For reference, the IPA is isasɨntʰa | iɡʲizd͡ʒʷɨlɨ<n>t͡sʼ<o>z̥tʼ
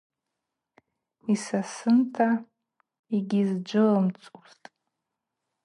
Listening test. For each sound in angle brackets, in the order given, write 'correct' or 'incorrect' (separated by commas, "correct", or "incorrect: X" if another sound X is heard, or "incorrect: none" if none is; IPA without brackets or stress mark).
incorrect: m, incorrect: u